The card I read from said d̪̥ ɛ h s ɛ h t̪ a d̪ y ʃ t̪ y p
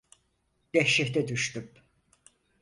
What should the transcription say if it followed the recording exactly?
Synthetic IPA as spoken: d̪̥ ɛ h ʃ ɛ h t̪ ɛ d̪ y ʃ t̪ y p